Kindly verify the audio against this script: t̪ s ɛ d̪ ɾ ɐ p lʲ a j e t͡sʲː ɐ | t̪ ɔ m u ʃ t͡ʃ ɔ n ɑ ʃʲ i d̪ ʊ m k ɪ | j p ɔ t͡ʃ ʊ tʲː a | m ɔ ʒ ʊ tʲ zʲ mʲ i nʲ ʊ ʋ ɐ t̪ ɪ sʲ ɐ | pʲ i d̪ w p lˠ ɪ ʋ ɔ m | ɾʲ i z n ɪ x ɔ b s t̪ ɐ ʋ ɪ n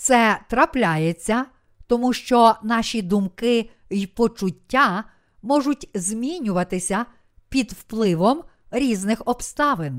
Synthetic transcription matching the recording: t̪ s ɛ t̪ ɾ ɐ p lʲ a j e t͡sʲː ɐ | t̪ ɔ m u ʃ t͡ʃ ɔ n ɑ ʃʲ i d̪ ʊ m k ɪ | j p ɔ t͡ʃ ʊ tʲː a | m ɔ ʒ ʊ tʲ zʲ mʲ i nʲ ʊ ʋ ɐ t̪ ɪ sʲ ɐ | pʲ i d̪ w p lˠ ɪ ʋ ɔ m | ɾʲ i z n ɪ x ɔ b s t̪ ɑ ʋ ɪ n